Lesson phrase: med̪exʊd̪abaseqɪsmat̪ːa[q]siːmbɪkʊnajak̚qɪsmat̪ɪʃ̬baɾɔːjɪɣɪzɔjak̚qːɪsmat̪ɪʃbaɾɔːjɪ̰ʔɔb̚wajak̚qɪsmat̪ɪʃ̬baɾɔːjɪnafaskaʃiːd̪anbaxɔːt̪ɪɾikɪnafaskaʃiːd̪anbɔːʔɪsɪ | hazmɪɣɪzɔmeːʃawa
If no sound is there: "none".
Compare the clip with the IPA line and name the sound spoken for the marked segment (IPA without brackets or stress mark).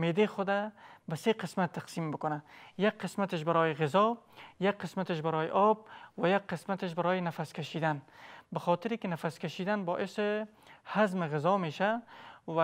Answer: q